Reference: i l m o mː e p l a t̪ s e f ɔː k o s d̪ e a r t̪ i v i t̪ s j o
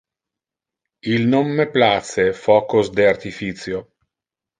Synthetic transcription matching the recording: i l n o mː e p l a t̪ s e f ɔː k o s d̪ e a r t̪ i f i t̪ s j o